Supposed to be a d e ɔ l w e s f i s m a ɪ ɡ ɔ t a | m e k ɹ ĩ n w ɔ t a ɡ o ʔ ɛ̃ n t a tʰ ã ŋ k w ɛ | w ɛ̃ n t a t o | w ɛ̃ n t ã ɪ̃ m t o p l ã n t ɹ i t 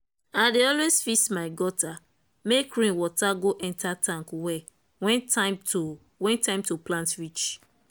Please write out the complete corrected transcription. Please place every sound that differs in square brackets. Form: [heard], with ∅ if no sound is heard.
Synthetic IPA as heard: a d e ɔ l w e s f i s m a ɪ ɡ ɔ t a | m e k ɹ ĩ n w ɔ t a ɡ o ʔ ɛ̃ n t a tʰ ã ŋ k w ɛ | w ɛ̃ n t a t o | w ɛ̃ n t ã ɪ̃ m t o p l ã n t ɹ i [t͡ʃ]